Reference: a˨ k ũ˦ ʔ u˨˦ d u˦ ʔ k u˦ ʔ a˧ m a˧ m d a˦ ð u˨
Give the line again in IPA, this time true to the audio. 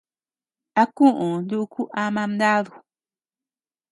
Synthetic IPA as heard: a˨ k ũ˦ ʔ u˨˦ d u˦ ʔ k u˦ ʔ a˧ m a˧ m d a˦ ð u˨